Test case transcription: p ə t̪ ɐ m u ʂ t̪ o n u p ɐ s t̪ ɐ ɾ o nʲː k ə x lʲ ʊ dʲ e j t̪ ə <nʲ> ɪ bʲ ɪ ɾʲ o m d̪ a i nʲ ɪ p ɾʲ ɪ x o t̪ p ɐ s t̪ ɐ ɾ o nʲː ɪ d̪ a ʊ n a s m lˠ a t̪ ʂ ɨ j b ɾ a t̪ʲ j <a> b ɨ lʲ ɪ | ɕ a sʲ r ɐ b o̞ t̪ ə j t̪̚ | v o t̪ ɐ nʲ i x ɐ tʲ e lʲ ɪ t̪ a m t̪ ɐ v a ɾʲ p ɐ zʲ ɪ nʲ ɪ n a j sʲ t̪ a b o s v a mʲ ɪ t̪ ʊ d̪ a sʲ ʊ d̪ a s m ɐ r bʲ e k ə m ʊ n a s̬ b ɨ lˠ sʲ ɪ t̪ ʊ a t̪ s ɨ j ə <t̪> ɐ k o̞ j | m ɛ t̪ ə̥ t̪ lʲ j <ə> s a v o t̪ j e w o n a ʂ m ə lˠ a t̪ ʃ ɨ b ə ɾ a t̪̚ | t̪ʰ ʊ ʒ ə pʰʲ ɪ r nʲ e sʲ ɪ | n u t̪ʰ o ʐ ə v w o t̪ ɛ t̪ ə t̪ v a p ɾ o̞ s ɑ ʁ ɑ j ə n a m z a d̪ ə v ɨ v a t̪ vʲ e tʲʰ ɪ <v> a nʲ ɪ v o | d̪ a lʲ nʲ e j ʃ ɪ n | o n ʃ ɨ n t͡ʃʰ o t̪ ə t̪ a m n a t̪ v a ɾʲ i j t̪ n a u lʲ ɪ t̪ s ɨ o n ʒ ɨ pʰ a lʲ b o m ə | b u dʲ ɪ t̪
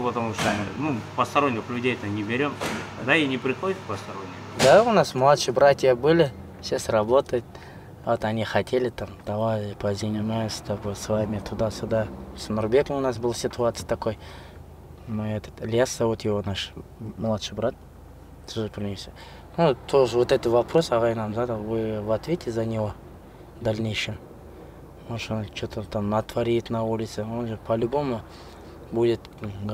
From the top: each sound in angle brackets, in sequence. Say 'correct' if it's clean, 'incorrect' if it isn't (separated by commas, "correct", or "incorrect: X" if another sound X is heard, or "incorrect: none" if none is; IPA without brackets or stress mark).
correct, incorrect: ə, correct, incorrect: a, incorrect: z